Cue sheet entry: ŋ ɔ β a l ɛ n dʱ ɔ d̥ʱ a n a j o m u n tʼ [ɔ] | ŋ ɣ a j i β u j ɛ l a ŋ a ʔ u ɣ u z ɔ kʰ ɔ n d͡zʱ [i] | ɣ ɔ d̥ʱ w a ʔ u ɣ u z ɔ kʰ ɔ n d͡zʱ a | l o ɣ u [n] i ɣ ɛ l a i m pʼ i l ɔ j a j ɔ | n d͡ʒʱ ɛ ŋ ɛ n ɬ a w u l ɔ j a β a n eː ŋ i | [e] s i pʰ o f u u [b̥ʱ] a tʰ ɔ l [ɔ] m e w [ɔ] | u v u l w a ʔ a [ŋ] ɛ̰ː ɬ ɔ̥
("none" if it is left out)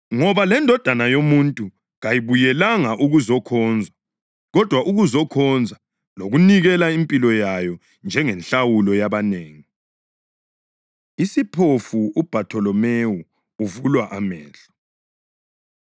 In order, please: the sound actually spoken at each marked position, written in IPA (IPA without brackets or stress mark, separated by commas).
u, a, n, i, b̥ʱ, ɔ, u, m